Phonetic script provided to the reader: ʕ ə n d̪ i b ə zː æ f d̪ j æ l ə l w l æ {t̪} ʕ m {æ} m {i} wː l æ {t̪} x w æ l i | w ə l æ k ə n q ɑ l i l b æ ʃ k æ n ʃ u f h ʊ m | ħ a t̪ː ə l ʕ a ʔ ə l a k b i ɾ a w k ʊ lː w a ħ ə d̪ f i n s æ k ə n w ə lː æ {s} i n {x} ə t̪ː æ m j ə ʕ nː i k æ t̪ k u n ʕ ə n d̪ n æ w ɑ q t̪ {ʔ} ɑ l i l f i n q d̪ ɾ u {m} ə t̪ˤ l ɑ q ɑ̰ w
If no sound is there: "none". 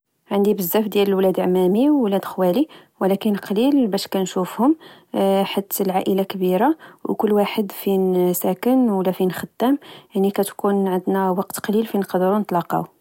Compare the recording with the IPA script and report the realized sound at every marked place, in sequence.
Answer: d̪, æ, i, d̪, f, x, q, n

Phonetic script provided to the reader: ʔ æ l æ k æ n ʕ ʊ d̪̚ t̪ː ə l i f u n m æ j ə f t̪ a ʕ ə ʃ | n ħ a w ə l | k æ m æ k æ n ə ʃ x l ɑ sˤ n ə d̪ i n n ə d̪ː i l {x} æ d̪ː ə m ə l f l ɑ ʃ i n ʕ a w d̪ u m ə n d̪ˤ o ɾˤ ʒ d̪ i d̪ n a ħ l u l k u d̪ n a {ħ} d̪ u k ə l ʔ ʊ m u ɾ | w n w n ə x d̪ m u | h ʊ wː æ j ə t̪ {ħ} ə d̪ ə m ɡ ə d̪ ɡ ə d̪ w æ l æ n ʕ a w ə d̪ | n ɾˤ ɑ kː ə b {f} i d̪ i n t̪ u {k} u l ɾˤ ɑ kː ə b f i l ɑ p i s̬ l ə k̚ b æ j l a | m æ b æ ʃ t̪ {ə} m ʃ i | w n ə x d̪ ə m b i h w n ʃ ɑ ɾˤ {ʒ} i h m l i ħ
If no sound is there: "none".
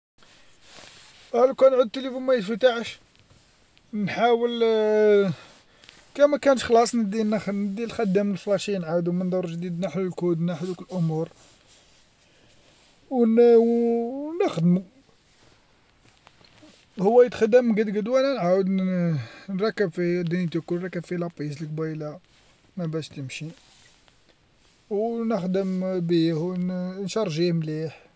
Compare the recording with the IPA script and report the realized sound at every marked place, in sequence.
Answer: x, ħ, x, f, k, ə, ʒ

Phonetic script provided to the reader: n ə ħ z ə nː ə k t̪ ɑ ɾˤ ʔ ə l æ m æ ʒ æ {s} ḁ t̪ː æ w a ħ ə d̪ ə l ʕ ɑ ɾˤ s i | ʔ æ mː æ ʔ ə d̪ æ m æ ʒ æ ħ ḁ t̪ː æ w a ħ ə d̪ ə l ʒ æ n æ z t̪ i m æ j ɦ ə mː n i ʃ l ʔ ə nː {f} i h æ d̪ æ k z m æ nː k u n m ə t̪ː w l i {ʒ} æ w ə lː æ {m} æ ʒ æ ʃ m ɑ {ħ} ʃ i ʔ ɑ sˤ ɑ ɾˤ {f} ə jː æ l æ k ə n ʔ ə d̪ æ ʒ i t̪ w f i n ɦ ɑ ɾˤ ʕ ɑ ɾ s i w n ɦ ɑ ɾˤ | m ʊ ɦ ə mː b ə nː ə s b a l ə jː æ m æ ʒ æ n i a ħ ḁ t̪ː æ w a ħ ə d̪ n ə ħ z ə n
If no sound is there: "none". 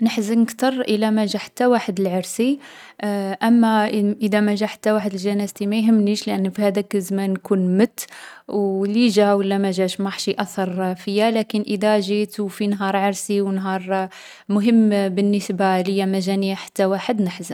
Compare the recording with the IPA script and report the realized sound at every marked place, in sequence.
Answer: ħ, f, ʒ, m, ħ, f

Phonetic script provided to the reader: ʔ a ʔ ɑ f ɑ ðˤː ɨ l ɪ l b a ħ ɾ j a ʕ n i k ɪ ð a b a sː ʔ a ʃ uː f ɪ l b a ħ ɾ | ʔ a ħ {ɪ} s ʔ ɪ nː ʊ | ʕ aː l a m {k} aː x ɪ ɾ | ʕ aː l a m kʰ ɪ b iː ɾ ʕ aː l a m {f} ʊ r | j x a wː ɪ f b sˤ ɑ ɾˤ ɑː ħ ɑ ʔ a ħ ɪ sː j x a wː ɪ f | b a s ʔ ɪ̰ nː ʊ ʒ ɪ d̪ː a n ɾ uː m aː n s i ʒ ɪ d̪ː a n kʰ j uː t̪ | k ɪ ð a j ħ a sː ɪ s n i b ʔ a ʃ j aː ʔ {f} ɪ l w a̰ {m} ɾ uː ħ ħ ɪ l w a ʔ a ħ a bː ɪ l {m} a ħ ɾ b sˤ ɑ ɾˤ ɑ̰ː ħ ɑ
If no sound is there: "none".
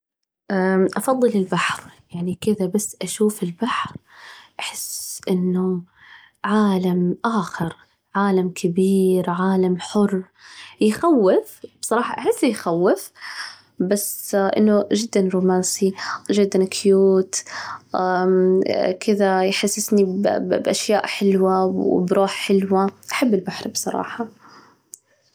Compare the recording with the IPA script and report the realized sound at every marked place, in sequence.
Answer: ɪ, ʔ, ħ, ħ, b, b

